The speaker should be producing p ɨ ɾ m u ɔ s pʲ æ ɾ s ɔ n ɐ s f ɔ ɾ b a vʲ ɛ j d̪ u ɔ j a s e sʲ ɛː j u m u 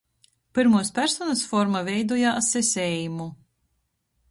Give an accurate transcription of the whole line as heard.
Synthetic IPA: p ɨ ɾ m u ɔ s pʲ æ ɾ s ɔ n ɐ s f ɔ ɾ m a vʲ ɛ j d̪ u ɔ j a s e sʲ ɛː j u m u

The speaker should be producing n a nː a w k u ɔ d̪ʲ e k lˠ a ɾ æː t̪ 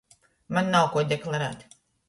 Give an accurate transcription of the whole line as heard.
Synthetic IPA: m a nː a w k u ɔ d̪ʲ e k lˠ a ɾ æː t̪

